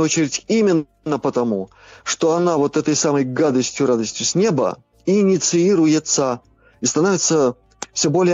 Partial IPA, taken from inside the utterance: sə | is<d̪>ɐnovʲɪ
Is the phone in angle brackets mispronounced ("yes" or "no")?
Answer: yes